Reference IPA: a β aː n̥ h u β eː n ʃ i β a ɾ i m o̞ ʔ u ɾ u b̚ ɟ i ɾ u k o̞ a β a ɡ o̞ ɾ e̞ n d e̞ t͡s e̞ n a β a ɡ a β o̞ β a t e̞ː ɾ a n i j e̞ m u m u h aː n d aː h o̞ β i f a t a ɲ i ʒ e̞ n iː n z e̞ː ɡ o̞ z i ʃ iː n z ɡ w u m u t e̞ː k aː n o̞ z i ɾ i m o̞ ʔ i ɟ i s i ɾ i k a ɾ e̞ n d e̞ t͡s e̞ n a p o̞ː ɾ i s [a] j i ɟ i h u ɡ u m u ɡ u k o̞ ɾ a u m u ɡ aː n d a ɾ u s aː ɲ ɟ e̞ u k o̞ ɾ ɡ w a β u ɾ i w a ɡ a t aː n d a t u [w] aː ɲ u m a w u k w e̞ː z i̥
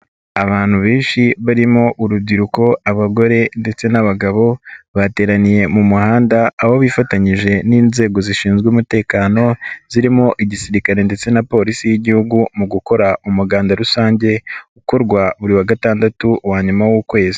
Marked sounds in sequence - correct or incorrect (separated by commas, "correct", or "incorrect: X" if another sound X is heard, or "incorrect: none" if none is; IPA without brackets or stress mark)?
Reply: incorrect: i, correct